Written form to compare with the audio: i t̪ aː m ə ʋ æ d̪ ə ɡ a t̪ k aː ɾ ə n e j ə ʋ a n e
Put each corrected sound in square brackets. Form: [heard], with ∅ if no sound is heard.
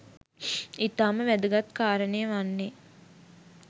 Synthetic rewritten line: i t̪ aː m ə ʋ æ d̪ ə ɡ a t̪ k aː ɾ ə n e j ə ʋ a [nː] e